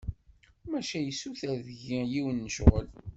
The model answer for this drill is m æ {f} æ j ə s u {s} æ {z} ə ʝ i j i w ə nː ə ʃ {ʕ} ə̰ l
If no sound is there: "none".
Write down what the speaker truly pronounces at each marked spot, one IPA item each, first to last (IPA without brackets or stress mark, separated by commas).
ʃ, θ, ð, ʁ